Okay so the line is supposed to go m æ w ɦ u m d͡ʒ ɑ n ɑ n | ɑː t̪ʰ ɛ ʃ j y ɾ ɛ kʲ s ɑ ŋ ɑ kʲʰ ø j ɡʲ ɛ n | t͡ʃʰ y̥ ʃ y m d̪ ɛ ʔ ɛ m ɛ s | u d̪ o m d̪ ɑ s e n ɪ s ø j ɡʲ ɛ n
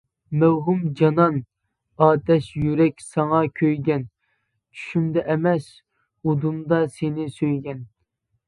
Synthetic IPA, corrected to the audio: m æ w ɦ u m d͡ʒ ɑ n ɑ n | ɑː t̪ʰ ɛ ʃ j y ɾ ɛ kʲ s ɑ ŋ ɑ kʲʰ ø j ɡʲ ɛ n | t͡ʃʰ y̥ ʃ y m d̪ ɛ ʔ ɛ m ɛ s | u d̪ u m d̪ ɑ s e n ɪ s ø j ɡʲ ɛ n